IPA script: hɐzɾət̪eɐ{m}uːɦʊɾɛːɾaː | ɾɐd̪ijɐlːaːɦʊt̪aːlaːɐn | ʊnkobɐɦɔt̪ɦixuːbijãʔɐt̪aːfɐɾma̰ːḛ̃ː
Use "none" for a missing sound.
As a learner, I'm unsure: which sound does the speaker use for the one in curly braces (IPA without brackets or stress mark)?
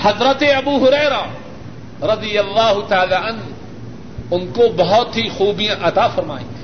b